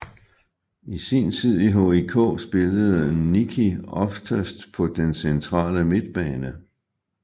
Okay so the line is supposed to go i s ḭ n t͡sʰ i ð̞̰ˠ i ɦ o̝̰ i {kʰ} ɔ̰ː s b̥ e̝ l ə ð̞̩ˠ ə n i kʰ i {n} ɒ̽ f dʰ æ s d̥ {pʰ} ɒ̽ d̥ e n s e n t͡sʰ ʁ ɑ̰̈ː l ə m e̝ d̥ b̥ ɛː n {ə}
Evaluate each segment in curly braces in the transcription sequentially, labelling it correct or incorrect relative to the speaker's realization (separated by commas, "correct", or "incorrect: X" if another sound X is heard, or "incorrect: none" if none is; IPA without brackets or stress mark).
correct, incorrect: none, correct, correct